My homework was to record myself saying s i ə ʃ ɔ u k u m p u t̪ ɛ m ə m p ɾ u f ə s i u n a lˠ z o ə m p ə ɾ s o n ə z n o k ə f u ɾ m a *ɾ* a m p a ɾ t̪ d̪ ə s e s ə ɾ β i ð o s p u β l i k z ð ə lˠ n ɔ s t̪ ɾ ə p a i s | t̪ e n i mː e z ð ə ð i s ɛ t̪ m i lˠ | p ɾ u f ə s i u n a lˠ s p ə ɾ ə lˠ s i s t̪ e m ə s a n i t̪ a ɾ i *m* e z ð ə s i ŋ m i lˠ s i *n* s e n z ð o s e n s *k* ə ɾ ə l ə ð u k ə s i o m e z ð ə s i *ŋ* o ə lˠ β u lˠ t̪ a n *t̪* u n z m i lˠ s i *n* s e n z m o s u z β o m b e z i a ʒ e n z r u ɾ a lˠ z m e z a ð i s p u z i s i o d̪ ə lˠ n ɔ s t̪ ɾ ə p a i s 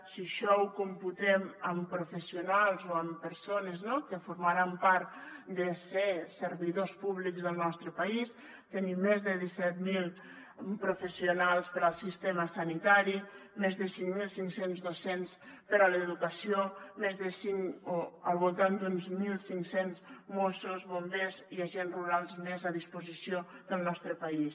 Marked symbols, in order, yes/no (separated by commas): yes, yes, no, no, yes, no, no